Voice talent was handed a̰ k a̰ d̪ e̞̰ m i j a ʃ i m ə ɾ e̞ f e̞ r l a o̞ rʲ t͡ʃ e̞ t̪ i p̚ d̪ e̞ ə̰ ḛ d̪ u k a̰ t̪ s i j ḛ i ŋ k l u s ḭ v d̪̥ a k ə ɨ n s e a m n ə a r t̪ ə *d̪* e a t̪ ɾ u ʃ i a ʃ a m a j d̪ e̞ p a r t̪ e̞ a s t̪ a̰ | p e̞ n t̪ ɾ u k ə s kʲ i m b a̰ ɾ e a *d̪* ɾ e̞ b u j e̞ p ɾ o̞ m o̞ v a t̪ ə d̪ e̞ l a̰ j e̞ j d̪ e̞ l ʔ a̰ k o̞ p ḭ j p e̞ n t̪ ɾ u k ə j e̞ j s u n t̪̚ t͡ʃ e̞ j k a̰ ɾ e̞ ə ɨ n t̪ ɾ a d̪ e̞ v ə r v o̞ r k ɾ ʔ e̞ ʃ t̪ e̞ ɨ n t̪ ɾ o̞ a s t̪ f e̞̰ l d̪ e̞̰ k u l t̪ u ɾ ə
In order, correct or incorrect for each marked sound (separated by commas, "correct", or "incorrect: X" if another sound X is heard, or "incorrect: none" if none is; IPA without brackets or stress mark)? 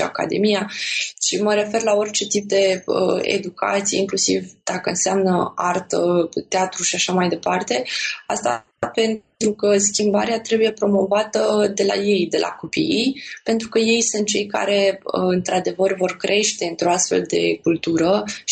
incorrect: t̪, incorrect: t̪